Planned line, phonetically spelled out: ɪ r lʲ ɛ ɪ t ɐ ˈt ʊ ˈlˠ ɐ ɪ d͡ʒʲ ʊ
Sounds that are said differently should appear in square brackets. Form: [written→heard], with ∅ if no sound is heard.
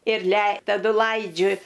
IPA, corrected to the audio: ɪ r lʲ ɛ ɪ t ɐ [ˈt→ˈd] ʊ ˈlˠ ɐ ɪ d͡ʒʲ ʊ